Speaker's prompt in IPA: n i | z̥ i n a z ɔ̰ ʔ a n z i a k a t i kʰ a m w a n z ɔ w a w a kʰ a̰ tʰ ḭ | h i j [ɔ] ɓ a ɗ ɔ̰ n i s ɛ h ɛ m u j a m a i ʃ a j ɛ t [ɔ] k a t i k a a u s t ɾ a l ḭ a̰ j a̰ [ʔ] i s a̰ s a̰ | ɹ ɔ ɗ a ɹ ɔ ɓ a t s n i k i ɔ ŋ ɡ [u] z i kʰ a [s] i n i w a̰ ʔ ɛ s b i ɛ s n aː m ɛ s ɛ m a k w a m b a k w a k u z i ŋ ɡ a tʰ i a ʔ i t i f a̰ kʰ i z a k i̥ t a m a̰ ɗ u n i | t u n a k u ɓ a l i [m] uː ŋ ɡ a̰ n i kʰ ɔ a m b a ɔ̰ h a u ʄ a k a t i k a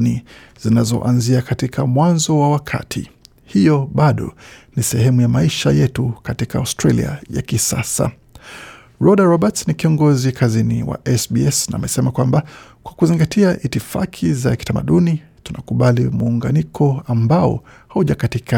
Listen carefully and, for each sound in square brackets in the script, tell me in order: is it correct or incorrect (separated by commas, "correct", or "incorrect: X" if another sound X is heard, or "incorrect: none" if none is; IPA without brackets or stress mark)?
correct, incorrect: u, incorrect: k, incorrect: ɔ, incorrect: z, correct